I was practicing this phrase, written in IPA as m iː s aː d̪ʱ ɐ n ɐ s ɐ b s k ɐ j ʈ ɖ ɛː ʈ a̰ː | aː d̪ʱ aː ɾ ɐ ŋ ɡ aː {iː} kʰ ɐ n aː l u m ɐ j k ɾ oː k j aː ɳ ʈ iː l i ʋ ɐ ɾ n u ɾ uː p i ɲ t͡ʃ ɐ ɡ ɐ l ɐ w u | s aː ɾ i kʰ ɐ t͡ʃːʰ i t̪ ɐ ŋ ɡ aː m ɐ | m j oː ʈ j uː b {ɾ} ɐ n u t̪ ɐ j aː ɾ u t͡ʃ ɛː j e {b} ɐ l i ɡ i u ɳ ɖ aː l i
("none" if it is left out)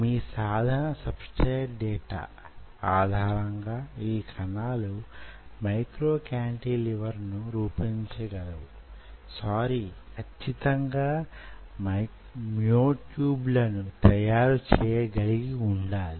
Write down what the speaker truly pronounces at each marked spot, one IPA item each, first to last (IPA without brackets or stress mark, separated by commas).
iː, l, ɡ